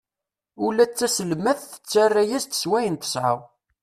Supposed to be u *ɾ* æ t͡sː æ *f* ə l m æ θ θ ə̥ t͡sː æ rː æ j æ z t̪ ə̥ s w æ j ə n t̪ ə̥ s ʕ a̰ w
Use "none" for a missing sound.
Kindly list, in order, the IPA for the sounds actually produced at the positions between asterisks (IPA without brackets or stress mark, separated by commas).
l, s